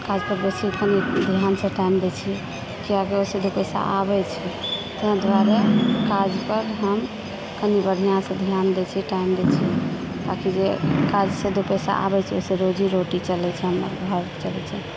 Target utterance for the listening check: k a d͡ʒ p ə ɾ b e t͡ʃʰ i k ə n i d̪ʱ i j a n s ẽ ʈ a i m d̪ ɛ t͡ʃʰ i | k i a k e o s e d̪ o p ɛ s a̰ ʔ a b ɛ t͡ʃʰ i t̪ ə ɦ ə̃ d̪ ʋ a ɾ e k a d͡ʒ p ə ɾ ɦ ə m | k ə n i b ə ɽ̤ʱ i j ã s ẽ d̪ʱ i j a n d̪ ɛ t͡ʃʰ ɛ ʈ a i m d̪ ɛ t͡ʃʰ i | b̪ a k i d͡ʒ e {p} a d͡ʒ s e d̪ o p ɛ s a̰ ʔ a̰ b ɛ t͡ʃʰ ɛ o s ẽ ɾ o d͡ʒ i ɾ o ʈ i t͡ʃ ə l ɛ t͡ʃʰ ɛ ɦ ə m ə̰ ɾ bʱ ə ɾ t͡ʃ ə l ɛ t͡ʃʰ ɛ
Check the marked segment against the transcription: incorrect: k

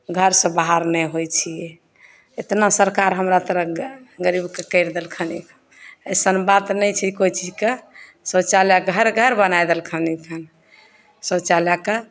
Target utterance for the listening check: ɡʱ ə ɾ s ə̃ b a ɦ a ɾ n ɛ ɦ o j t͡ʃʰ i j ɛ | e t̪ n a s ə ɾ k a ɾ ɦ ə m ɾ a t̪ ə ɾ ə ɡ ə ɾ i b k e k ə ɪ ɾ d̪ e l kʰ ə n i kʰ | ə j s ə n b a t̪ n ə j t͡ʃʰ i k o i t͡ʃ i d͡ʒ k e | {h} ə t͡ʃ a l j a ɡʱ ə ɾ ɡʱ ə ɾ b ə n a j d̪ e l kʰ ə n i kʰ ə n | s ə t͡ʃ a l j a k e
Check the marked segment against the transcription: incorrect: s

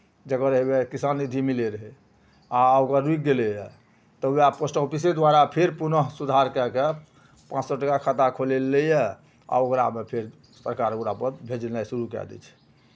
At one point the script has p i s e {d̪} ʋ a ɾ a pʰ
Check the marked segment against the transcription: correct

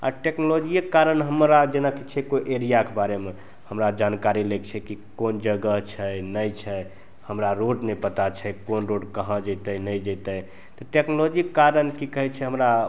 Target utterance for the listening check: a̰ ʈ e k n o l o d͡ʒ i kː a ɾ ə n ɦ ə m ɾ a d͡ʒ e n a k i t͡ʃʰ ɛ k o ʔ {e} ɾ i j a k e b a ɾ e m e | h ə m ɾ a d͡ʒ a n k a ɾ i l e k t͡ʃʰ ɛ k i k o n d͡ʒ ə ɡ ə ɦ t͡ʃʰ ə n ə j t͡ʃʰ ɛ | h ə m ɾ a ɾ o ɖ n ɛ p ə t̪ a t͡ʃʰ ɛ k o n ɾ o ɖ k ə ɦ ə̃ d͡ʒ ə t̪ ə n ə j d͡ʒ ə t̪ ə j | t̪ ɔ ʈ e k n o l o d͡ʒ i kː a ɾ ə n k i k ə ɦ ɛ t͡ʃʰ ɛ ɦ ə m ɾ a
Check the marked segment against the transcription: correct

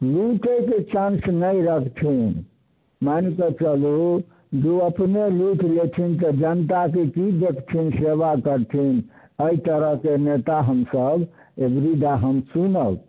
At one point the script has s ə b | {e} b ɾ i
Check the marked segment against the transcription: correct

